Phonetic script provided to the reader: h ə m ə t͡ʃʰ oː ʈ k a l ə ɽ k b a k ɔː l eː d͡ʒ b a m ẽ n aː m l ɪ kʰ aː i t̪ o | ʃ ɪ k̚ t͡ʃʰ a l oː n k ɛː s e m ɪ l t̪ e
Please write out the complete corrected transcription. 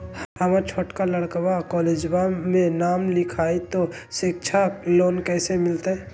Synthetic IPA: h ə m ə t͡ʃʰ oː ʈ k a l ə ɽ k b a k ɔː l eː d͡ʒ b a m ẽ n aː m l ɪ kʰ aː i t̪ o | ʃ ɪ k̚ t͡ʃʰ a l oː n k ɛː s e m ɪ l t̪ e